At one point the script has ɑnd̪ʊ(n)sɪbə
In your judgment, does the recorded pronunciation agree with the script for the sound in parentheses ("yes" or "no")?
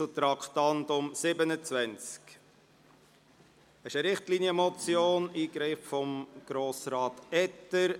no